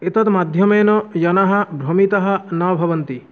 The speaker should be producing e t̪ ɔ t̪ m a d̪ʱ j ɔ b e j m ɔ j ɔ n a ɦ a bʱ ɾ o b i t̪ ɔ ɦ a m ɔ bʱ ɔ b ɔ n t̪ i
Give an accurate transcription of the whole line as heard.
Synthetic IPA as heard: e t̪ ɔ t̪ m a d̪ʱ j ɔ m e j n ɔ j ɔ n a ɦ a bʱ ɾ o m i t̪ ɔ ɦ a n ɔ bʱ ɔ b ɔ n t̪ i